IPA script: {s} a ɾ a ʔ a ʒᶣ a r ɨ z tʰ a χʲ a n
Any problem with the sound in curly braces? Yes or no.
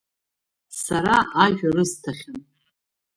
no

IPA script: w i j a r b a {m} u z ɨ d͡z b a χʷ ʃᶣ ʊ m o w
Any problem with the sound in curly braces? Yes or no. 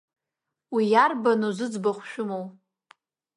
yes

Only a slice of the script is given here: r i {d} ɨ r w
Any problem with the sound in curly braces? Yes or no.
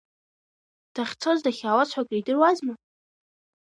no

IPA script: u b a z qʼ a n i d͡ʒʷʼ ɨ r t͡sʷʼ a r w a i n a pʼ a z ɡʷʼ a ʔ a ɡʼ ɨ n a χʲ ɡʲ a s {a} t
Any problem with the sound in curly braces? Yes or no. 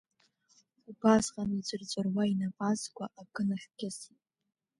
yes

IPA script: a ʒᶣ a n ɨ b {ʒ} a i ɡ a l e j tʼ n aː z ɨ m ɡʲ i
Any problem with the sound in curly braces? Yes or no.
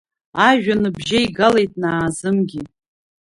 no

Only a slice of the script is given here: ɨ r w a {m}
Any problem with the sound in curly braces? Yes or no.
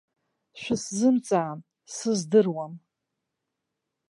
no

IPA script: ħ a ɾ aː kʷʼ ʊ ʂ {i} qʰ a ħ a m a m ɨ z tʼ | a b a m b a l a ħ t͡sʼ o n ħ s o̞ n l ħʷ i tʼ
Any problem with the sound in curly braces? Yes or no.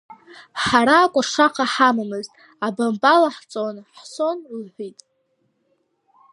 yes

